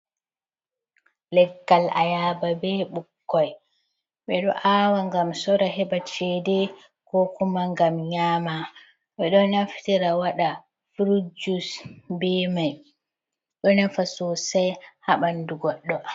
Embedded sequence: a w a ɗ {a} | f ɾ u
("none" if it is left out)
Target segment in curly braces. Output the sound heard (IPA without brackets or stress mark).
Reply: a